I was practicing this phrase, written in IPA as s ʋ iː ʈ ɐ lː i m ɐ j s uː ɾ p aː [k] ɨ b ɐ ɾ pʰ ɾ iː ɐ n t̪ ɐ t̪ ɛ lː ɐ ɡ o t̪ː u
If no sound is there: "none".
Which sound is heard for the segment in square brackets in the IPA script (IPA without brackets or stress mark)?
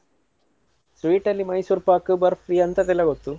k